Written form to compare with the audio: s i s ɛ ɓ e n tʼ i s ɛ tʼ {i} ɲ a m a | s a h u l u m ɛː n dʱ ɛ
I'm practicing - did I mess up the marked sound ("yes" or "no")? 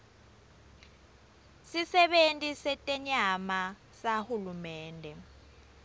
yes